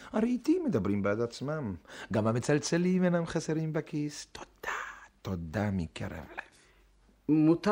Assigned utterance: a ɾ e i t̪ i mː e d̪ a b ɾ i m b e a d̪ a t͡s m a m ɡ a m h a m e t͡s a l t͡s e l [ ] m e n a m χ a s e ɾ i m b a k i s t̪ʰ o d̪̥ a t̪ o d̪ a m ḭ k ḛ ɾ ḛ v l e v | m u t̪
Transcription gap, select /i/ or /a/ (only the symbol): i